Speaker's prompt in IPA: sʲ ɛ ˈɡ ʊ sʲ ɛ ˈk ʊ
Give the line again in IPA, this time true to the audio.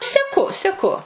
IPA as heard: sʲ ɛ ˈk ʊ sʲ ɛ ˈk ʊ